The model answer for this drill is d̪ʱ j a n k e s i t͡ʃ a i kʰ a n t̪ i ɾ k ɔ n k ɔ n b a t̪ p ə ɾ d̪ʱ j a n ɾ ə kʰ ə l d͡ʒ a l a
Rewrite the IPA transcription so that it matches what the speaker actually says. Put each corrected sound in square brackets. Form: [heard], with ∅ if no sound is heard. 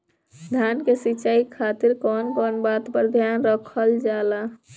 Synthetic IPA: d̪ʱ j a n k e s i t͡ʃ a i kʰ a [∅] t̪ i ɾ k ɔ n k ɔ n b a t̪ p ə ɾ d̪ʱ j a n ɾ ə kʰ ə l d͡ʒ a l a